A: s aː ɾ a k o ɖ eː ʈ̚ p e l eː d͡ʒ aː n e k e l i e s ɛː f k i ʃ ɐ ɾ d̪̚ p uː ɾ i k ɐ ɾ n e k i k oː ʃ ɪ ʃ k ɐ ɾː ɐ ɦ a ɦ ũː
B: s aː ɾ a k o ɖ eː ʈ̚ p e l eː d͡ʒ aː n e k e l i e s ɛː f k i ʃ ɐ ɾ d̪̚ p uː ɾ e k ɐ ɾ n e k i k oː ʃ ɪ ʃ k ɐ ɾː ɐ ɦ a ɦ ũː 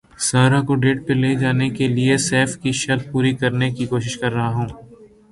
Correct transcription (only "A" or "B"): A